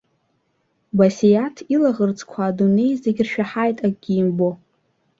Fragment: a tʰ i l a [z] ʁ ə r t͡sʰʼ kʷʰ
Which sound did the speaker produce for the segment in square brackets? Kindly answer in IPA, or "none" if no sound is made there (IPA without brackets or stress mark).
none